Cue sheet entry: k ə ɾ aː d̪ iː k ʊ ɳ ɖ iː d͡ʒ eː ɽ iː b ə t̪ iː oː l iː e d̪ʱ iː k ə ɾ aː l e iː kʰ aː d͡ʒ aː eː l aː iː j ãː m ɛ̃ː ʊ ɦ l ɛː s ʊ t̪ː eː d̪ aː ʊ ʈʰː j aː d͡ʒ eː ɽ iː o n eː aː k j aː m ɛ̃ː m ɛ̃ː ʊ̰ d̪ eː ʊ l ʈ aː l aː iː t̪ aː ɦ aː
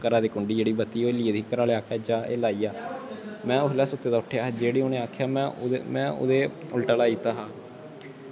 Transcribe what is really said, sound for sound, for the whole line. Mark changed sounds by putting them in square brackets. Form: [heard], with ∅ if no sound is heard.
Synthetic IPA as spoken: k ə ɾ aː d̪ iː k ʊ ɳ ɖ iː d͡ʒ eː ɽ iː b ə t̪ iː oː l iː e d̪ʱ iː k ə ɾ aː l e [aː] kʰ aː d͡ʒ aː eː l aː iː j [aː] m ɛ̃ː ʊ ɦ l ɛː s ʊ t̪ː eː d̪ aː ʊ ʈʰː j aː d͡ʒ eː ɽ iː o n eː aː [kʰ] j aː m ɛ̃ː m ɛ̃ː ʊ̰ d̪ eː ʊ l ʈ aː l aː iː t̪ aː ɦ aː